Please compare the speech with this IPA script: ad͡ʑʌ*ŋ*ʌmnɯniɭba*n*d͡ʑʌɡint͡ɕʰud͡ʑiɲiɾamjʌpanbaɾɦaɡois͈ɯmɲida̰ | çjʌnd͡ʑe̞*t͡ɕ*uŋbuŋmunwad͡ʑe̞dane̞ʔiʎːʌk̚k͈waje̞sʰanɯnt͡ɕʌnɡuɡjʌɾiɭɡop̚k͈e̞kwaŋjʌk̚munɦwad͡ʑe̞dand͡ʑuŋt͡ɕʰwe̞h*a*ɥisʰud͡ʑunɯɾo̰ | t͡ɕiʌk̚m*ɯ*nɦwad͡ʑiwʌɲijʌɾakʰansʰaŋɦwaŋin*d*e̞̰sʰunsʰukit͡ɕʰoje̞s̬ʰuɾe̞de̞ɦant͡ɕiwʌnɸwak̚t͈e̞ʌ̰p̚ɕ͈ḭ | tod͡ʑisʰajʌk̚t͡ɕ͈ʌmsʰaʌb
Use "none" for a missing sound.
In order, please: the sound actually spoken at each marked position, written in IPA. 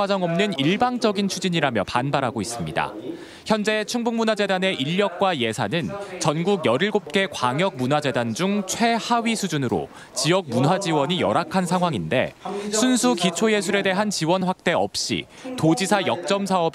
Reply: ŋ, ŋ, t͡ɕʰ, a, u, d

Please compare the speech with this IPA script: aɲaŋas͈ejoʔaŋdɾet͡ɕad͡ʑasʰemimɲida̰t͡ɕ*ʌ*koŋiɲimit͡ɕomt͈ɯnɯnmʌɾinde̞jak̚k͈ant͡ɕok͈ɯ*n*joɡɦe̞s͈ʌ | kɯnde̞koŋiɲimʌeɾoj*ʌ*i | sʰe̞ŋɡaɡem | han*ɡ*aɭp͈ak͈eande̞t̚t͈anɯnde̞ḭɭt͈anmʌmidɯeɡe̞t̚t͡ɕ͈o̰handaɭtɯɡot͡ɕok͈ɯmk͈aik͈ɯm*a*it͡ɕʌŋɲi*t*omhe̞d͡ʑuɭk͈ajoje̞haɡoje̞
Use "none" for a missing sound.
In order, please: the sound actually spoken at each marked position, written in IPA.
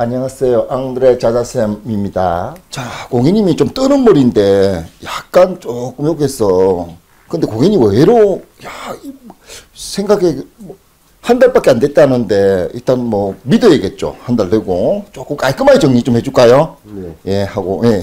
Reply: a, m, a, d, a, t͡ɕ

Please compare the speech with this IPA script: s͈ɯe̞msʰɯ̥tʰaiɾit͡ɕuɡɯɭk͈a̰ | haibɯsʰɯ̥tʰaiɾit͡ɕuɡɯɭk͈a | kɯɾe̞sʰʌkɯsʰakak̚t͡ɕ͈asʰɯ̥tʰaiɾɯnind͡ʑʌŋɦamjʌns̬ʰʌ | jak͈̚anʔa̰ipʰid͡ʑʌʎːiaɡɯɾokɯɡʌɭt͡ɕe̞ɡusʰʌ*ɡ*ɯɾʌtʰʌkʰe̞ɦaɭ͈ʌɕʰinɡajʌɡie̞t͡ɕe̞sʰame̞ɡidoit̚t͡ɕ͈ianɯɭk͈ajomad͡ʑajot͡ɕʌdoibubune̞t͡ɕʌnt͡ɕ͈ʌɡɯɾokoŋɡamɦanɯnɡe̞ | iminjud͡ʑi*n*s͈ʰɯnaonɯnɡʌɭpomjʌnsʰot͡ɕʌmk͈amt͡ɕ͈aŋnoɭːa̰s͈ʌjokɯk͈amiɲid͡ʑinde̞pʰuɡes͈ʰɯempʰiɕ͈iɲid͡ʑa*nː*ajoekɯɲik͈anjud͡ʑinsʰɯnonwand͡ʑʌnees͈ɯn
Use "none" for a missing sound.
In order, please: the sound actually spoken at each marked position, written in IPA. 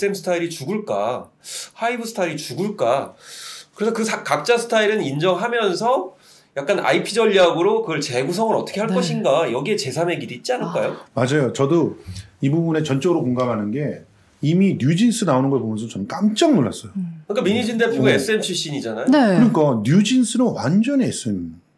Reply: ŋ, n, n

